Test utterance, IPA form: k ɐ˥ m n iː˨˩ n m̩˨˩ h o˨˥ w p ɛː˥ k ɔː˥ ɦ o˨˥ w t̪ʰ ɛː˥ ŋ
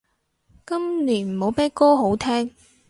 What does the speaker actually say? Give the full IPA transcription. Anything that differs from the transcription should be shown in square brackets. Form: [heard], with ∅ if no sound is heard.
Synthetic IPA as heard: k ɐ˥ m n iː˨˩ n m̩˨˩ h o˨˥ w p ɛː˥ k ɔː˥ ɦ o˨˥ w t̪ʰ ɛː˥ ŋ